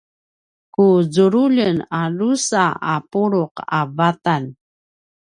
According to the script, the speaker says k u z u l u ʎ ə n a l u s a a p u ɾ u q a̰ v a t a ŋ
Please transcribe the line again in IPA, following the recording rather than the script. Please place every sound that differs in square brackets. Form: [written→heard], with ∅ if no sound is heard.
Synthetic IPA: k u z u [l→ɾ] u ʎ ə n a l u s a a p u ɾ u q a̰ v a t a [ŋ→n]